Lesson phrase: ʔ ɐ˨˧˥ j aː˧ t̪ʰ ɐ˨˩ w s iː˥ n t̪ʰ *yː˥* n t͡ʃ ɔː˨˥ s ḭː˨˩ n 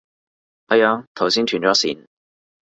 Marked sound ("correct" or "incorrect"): incorrect